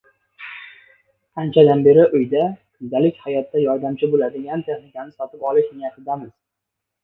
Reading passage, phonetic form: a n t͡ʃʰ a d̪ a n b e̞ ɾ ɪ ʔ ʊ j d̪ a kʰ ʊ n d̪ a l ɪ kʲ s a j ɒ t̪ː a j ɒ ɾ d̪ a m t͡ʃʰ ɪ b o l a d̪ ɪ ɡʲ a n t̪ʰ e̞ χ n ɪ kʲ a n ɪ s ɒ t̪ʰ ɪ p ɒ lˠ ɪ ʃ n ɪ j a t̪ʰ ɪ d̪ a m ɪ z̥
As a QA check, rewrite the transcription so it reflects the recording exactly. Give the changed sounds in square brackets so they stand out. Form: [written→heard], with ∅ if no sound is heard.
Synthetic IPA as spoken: a n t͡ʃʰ a d̪ a n b e̞ ɾ ɪ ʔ ʊ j d̪ a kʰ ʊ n d̪ a l ɪ kʲ [s→h] a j ɒ t̪ː a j ɒ ɾ d̪ a m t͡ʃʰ ɪ b o l a d̪ ɪ ɡʲ a n t̪ʰ e̞ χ n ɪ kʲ a n ɪ s ɒ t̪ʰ ɪ p ɒ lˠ ɪ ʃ n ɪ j a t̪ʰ ɪ d̪ a m ɪ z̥